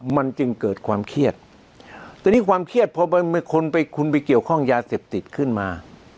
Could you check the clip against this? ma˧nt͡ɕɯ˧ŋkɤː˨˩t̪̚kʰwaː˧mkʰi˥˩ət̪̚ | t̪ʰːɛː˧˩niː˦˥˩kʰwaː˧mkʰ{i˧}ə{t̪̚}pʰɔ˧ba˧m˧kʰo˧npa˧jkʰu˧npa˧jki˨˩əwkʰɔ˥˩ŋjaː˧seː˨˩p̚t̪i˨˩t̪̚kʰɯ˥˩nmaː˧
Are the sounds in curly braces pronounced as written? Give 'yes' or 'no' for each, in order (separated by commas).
no, yes